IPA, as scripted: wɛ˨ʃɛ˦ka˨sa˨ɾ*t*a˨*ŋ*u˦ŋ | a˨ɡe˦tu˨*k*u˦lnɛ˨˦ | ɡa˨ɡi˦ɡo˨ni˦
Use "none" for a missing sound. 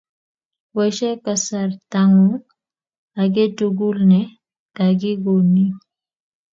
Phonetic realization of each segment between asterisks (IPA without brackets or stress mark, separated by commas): t, ŋ, ɡ